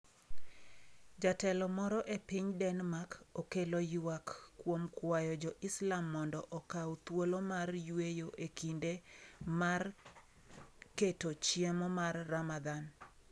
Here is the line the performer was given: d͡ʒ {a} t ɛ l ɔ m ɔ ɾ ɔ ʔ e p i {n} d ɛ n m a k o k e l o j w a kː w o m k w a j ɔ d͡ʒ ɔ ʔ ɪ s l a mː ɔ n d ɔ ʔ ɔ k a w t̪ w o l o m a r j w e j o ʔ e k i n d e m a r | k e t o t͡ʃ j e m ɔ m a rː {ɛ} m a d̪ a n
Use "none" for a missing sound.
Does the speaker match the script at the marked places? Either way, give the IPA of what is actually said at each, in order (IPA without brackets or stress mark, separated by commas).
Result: a, ɲ, a